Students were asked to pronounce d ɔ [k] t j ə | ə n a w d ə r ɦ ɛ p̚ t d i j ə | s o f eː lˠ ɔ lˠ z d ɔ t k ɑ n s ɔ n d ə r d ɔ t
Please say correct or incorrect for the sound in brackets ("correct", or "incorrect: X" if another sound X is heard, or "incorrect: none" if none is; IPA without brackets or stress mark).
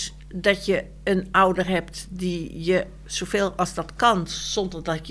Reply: incorrect: none